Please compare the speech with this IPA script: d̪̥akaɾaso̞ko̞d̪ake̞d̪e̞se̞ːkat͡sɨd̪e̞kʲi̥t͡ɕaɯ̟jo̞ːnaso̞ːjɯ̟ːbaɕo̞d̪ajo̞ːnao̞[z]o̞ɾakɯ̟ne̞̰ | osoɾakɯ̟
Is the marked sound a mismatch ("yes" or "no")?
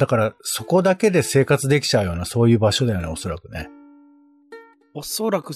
yes